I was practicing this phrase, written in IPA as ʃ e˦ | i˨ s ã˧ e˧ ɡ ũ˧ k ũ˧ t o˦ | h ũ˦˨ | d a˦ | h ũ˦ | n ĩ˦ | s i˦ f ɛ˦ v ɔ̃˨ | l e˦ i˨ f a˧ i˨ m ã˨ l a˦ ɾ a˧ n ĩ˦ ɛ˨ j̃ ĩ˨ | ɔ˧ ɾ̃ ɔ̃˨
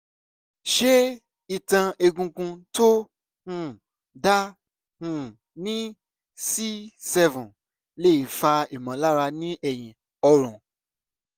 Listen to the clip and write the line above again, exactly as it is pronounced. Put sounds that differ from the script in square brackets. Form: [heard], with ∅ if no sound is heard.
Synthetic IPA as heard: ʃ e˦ | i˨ [t] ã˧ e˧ ɡ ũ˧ k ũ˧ t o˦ | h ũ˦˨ | d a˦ | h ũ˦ | n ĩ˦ | s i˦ [s] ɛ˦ v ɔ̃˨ | l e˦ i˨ f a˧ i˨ m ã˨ l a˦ ɾ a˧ n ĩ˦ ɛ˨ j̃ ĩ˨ | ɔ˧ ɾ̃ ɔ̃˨

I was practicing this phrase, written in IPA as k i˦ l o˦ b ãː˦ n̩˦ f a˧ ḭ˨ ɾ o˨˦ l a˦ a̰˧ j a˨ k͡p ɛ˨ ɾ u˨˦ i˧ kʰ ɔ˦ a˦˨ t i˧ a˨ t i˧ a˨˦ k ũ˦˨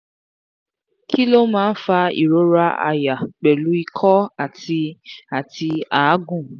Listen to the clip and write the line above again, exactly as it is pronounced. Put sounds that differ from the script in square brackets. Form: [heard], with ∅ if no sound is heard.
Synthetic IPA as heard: k i˦ l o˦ [m] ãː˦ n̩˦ f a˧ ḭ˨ ɾ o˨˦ [ɾ] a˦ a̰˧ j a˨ k͡p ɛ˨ [l] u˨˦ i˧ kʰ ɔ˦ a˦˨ t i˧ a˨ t i˧ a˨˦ [ɡ] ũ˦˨

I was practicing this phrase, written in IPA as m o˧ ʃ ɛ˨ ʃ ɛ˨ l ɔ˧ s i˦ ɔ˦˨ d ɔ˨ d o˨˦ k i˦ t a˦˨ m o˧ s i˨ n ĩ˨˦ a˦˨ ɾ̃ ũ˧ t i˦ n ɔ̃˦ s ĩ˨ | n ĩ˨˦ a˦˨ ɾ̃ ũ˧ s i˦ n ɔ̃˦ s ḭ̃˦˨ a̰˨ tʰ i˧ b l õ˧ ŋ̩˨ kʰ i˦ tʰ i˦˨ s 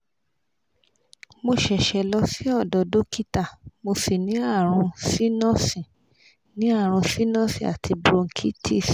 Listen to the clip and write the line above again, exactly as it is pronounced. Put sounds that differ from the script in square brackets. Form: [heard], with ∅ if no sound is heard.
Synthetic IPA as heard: m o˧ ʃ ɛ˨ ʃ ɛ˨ l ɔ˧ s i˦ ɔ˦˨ d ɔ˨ d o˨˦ k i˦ t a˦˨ m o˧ s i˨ n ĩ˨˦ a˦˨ ɾ̃ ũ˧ [s] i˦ n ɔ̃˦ s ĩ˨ | n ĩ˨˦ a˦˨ ɾ̃ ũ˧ s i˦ n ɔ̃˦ s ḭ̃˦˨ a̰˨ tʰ i˧ b [ɾ] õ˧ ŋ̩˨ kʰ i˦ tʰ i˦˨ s

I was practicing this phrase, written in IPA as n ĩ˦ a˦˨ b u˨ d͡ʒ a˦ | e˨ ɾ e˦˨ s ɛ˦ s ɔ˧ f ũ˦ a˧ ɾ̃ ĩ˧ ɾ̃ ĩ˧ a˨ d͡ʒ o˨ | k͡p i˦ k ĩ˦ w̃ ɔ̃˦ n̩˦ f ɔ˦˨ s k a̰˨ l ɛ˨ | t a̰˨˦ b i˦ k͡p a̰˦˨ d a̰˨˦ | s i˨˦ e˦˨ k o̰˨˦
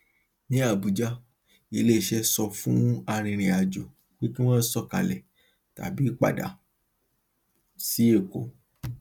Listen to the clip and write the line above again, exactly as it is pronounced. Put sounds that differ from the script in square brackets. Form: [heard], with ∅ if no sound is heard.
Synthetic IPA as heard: n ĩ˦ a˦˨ b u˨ d͡ʒ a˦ | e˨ [l] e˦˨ [ʃ] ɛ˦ s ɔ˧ f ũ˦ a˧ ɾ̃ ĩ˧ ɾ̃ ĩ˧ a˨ d͡ʒ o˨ | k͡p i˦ k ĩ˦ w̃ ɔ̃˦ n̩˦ [s] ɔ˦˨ [∅] k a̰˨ l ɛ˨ | t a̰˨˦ b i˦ k͡p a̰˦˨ d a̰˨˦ | s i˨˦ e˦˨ k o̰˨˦

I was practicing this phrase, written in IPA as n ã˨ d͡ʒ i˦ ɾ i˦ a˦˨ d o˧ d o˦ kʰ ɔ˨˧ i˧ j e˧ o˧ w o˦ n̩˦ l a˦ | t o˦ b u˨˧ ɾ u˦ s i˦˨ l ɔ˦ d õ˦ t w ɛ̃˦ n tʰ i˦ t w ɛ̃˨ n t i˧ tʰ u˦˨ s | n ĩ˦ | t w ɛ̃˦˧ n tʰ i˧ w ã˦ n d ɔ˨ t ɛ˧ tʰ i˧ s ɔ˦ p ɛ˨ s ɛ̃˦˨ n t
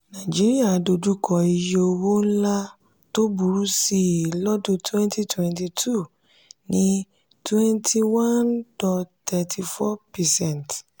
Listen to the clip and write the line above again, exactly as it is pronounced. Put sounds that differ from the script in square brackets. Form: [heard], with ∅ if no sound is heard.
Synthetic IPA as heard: n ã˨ d͡ʒ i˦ ɾ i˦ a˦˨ d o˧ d [u˦] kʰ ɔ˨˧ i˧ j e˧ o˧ w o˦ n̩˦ l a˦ | t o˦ b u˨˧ ɾ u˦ s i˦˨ l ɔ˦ d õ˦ t w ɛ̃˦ n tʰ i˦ t w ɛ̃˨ n t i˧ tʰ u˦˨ [∅] | n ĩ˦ | t w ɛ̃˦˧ n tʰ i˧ w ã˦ n d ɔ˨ t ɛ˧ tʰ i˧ [f] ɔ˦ p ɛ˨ s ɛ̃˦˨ n t

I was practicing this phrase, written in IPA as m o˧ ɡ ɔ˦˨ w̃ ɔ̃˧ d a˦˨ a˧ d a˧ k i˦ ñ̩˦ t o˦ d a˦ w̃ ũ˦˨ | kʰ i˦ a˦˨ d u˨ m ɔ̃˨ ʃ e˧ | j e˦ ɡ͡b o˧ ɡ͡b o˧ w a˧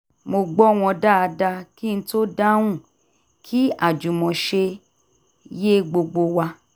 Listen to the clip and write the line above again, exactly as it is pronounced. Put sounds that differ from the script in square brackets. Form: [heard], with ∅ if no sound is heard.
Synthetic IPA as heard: m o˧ [ɡ͡b] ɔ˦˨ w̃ ɔ̃˧ d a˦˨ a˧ d a˧ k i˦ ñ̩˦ t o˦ d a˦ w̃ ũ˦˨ | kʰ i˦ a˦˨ [d͡ʒ] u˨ m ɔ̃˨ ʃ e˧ | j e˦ ɡ͡b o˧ ɡ͡b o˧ w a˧

